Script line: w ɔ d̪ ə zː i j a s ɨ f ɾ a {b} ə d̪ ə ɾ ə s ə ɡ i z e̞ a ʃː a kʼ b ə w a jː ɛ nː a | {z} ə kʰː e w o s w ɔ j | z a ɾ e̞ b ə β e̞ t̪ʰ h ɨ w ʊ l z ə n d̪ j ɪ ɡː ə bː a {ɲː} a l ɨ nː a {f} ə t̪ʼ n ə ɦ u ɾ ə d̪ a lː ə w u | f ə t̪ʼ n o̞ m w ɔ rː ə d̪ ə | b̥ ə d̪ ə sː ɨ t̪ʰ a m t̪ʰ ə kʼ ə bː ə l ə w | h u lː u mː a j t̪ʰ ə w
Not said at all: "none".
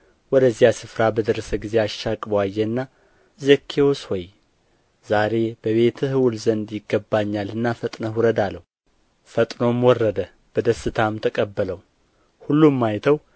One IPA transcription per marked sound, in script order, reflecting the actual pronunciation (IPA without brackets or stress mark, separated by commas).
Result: b, z, ɲː, f